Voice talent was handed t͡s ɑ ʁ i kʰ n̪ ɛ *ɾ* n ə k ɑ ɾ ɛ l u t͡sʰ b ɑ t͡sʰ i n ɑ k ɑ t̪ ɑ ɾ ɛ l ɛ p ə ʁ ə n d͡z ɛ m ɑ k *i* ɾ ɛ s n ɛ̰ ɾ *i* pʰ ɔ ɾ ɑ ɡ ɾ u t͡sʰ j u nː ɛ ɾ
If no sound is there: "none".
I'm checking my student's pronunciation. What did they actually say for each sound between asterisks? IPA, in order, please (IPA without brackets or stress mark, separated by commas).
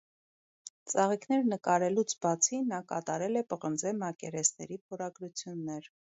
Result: ɾ, ɛ, i